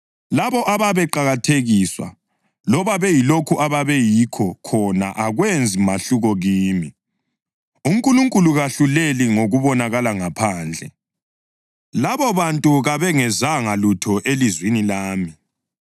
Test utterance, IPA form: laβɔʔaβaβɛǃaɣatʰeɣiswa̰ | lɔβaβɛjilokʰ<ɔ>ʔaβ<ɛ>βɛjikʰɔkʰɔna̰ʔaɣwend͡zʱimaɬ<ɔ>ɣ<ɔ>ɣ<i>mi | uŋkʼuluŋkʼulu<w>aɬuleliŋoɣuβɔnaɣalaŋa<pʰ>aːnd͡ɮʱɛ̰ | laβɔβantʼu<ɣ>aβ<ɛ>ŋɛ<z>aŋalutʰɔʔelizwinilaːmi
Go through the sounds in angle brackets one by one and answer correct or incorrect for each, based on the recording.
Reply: incorrect, incorrect, incorrect, correct, incorrect, incorrect, correct, correct, correct, correct

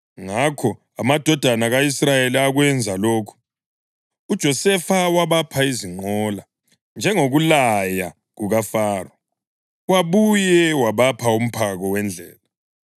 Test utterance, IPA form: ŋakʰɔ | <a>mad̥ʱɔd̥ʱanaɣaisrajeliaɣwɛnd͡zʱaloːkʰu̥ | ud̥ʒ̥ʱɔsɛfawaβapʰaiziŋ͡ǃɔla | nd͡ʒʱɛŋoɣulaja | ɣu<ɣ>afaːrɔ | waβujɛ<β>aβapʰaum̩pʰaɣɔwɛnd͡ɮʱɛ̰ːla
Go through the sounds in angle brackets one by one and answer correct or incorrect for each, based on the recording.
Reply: correct, correct, incorrect

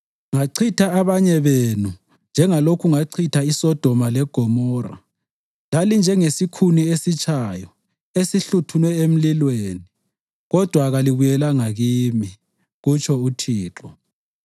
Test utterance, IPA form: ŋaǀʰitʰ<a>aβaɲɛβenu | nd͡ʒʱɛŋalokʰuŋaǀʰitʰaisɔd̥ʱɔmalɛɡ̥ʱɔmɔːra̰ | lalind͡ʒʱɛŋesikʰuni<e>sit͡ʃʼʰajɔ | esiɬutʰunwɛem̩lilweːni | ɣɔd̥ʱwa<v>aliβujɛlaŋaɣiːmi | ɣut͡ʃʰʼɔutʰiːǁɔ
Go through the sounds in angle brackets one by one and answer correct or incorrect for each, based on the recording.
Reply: correct, correct, incorrect

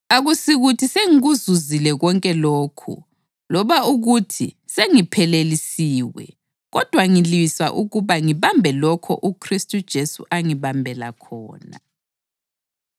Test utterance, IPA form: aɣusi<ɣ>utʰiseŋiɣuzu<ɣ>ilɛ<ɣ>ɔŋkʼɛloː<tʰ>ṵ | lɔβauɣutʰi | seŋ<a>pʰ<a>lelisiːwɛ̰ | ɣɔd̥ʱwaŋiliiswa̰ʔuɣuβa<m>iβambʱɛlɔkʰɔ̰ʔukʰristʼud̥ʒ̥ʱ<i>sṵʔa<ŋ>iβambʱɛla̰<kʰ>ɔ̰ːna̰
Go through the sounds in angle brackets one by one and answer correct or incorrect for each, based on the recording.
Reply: correct, incorrect, correct, incorrect, incorrect, incorrect, incorrect, incorrect, correct, correct

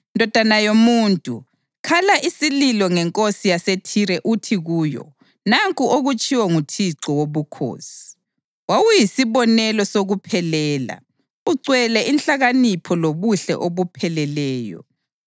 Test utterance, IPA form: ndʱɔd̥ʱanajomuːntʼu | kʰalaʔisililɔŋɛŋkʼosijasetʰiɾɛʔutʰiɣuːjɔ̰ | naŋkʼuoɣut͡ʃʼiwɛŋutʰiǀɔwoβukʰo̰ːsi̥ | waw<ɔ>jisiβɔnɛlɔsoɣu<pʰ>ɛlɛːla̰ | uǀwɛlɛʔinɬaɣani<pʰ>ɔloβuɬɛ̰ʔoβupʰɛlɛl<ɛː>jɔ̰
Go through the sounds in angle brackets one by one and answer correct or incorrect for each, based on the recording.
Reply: incorrect, correct, correct, correct

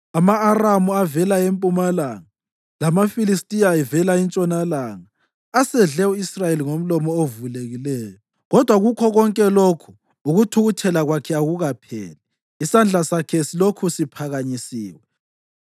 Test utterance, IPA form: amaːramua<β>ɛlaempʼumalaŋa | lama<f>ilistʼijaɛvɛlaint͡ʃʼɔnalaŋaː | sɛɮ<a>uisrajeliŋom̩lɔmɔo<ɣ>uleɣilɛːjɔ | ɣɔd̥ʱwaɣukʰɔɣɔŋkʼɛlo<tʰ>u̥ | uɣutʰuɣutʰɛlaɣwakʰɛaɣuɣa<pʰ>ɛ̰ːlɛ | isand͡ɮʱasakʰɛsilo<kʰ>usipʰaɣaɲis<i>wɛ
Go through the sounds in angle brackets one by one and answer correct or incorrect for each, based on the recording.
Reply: incorrect, correct, incorrect, incorrect, incorrect, correct, correct, incorrect

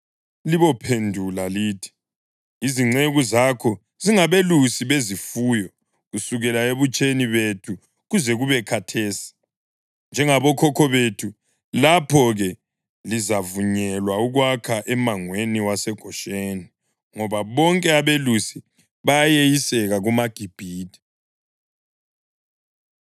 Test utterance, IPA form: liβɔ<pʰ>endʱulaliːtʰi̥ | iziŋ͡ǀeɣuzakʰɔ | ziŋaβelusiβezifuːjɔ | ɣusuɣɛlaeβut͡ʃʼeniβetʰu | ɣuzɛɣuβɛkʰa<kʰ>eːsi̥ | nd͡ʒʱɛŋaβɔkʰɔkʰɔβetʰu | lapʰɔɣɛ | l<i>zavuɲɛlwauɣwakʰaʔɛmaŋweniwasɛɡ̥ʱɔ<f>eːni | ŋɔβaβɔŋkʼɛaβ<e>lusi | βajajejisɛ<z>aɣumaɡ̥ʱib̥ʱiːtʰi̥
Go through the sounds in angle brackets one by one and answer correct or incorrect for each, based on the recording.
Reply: correct, incorrect, correct, incorrect, correct, incorrect

